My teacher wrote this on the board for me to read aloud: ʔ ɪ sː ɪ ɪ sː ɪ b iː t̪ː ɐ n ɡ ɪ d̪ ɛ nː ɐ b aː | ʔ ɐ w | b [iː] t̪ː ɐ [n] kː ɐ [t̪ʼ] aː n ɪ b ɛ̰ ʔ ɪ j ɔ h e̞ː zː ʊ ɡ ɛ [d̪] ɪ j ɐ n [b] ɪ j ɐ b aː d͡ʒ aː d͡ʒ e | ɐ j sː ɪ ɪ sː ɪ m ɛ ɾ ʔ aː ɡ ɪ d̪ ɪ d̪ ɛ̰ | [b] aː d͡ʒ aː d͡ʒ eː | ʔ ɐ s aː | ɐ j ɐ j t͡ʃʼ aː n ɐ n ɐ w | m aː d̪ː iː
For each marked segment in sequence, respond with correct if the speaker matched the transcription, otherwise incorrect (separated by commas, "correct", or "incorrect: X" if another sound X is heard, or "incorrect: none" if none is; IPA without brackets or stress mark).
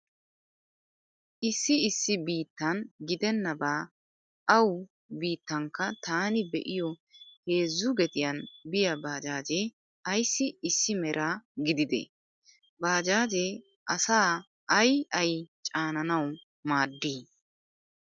correct, incorrect: ŋ, incorrect: t̪, incorrect: t̪, correct, correct